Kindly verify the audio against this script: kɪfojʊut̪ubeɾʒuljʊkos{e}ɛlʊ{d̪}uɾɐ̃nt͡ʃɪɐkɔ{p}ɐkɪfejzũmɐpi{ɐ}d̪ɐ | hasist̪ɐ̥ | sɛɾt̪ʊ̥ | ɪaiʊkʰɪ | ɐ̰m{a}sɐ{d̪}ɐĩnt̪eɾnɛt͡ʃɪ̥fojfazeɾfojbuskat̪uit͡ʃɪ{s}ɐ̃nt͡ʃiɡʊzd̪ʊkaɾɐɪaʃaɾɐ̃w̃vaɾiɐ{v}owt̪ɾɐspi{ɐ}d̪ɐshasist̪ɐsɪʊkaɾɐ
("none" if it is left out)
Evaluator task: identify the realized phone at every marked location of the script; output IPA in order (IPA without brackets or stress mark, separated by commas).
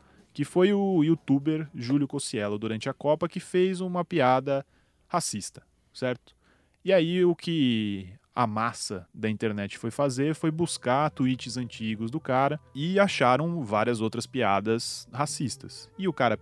i, d̪, p, a, a, d̪, z, z, a